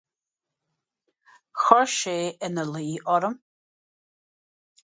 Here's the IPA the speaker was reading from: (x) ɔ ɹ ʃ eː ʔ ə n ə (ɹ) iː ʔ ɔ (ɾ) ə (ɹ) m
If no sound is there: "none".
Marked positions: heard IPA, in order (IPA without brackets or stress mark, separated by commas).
x, l, ɾ, none